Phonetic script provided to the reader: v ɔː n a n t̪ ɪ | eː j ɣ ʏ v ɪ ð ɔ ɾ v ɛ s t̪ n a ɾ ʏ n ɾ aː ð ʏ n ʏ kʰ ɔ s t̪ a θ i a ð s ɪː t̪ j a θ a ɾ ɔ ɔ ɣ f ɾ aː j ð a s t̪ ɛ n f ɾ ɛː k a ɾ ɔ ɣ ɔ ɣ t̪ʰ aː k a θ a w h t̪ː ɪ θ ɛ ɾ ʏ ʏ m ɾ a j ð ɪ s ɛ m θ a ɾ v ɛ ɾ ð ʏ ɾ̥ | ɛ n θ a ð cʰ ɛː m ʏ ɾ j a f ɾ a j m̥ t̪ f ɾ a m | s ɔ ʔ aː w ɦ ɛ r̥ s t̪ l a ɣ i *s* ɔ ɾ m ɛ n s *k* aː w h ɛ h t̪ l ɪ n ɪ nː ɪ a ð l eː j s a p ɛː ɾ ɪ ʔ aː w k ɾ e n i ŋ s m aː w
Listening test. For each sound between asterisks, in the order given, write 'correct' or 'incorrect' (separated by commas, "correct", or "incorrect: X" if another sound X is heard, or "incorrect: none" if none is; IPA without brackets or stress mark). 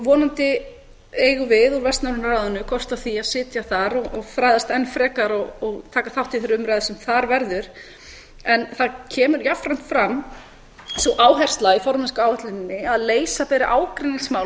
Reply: incorrect: f, correct